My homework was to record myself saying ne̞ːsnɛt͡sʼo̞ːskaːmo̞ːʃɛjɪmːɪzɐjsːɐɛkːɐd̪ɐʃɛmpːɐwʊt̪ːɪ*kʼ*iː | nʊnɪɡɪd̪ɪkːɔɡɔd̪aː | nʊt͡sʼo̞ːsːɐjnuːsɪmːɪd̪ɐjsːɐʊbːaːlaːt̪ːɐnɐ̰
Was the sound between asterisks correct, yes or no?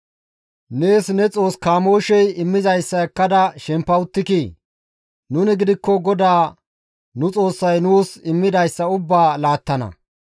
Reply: no